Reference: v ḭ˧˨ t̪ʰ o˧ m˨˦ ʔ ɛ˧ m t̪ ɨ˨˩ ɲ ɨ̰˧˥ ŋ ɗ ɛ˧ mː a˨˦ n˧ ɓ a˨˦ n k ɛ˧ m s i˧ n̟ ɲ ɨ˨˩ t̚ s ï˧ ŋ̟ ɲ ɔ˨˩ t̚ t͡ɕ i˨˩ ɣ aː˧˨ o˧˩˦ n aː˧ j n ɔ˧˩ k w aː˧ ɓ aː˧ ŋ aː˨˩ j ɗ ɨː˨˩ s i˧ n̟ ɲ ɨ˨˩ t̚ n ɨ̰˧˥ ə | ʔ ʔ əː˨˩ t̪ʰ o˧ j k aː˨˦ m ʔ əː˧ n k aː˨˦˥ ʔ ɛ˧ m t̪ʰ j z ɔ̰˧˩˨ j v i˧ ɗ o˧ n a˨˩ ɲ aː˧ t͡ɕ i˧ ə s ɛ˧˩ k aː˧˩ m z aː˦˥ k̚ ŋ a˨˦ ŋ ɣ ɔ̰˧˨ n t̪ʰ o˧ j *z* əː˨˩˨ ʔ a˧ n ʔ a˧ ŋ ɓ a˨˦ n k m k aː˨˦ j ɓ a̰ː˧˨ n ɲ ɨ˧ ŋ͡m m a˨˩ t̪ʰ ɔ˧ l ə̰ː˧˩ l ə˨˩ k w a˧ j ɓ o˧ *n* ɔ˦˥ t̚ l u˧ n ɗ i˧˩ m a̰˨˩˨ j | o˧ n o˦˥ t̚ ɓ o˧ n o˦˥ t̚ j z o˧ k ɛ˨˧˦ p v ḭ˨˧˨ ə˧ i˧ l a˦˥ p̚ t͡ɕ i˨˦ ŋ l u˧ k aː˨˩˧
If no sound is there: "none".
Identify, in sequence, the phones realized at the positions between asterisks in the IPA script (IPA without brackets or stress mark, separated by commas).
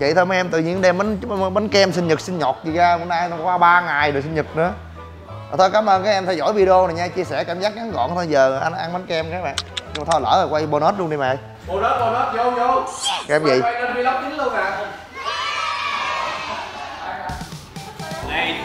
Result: z, n